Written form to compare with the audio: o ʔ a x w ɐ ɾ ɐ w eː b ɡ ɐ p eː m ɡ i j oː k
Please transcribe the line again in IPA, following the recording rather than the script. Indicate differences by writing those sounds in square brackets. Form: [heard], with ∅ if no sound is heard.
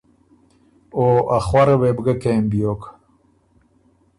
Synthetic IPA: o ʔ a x w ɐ ɾ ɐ w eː b ɡ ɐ [k] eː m [b] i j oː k